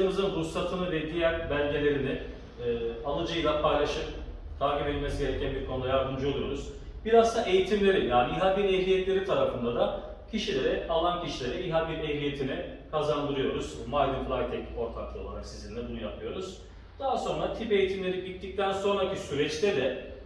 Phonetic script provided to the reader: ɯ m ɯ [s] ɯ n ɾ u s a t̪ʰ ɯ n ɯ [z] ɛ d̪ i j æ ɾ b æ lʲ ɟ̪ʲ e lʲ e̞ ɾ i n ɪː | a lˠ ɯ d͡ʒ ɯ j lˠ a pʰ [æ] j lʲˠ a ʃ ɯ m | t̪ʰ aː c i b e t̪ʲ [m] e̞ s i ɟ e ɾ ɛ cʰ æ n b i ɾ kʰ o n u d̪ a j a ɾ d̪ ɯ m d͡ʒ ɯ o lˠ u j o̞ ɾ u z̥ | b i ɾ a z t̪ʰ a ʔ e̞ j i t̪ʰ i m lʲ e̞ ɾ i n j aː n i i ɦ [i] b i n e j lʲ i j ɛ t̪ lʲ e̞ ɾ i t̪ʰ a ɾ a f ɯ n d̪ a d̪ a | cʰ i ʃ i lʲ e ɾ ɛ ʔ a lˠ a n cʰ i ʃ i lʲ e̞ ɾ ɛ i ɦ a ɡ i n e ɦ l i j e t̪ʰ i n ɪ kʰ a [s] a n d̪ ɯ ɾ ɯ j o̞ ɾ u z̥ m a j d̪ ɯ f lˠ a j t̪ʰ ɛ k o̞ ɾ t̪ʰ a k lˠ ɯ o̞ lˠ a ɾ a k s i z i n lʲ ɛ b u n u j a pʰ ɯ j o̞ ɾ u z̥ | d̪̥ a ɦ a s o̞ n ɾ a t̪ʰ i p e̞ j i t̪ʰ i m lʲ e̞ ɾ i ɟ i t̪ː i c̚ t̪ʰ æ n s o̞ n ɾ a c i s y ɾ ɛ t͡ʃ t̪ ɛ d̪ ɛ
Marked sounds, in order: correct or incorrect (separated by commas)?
incorrect, incorrect, incorrect, correct, incorrect, incorrect